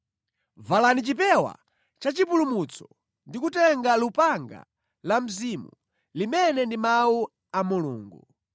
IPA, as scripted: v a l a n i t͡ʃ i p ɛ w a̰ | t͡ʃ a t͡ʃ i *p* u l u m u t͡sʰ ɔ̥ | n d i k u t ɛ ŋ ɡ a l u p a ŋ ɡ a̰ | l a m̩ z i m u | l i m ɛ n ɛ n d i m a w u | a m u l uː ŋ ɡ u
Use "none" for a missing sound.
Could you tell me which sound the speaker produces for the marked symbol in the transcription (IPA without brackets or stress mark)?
p